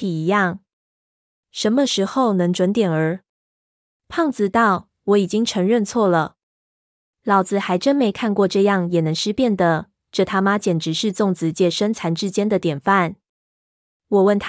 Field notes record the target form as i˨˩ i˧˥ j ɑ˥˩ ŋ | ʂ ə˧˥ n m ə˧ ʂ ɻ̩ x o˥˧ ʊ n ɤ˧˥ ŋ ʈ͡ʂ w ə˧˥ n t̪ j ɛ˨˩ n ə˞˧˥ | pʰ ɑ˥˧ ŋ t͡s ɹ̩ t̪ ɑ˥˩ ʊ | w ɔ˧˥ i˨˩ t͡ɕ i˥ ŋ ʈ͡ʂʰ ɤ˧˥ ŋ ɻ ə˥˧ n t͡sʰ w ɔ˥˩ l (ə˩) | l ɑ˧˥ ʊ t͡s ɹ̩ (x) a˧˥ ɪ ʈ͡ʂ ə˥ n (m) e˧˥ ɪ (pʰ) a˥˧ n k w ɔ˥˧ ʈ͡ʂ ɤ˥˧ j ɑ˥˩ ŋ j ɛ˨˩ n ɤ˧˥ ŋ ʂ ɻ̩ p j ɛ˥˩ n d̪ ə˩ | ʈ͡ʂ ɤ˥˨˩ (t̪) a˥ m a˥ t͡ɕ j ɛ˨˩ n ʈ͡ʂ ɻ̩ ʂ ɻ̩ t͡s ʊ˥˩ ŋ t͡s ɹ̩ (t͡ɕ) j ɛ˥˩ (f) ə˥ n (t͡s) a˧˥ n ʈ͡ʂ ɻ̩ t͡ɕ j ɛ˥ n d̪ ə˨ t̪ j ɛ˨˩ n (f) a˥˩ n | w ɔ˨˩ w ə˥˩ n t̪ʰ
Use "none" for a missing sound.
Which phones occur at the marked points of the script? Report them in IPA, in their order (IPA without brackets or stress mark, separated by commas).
ə˩, x, m, kʰ, t̪ʰ, t͡ɕ, ʂ, t͡sʰ, f